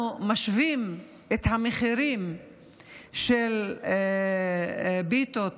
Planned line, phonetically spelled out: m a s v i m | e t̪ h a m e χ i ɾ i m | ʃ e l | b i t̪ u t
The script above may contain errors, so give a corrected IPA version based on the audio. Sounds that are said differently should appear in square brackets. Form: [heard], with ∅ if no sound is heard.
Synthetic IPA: m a [ʃ] v i m | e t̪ h a m e χ i ɾ i m | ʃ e l | b i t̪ [o] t

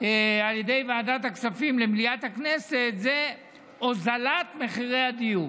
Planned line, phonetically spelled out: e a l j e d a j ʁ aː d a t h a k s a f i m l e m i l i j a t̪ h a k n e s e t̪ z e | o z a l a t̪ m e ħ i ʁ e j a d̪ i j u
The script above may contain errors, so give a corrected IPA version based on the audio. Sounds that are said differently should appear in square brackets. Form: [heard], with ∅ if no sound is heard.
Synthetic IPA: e a l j e d [e] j [v] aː d a t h a k s a f i m l e m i l i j a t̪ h a k n e s e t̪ z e | o z a l a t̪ m e [χ] i ʁ e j a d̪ i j u

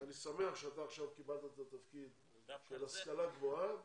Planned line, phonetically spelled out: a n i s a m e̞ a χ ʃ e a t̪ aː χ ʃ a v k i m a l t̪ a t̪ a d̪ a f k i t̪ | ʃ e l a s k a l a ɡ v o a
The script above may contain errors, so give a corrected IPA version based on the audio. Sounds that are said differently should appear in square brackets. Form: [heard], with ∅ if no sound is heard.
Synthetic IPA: a n i s a m e̞ a χ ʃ e a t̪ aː χ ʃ a v k i [b] a l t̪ a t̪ a [t̪] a f k i [d̪] | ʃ e l a s k a l a ɡ v o a

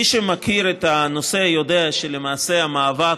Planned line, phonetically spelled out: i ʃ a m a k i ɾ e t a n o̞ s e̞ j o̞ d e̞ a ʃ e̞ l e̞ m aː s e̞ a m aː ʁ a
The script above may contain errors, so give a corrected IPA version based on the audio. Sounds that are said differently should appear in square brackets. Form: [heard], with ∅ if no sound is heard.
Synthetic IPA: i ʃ [e] m a k i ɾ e t a n o̞ s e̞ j o̞ d e̞ a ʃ e̞ l e̞ m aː s e̞ a m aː [v] a

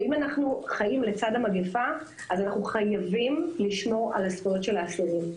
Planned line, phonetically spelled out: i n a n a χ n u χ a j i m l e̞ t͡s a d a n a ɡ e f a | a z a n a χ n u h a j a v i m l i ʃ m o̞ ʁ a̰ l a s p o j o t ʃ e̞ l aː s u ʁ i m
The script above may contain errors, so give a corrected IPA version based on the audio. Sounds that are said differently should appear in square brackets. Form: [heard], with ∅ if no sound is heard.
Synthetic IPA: i [m] a n a χ n u χ a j i m l e̞ t͡s a d a [m] a ɡ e f a | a z a n a χ n u [χ] a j a v i m l i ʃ m o̞ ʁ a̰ l a s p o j o t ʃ e̞ l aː s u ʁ i m

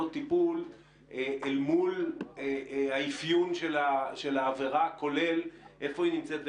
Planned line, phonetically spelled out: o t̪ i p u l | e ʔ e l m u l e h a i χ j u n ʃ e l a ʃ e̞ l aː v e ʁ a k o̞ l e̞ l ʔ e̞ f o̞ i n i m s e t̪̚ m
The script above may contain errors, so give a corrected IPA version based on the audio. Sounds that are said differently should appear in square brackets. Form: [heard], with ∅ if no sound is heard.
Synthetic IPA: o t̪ i p u l | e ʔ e l m u l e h a i [f] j u n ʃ e l a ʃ e̞ l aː v e ʁ a k o̞ l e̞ l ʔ e̞ f o̞ i n i m [t͡s] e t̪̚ [b]

